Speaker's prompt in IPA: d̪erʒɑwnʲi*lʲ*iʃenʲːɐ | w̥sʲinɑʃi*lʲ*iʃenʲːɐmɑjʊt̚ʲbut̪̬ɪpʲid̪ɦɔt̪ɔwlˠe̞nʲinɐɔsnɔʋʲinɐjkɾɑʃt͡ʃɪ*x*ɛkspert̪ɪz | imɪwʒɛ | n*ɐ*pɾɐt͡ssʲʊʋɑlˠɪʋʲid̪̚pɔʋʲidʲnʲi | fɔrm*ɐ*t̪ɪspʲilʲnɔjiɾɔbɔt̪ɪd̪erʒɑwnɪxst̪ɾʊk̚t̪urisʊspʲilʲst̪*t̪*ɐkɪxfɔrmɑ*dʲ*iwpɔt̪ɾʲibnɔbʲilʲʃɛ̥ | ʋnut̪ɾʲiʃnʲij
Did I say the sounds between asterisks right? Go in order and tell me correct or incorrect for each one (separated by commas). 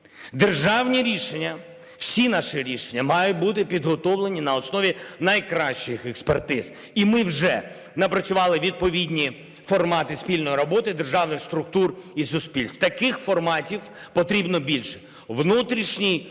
incorrect, incorrect, correct, correct, incorrect, correct, incorrect